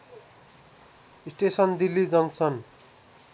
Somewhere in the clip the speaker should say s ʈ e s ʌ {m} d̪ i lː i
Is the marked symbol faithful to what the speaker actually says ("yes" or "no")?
no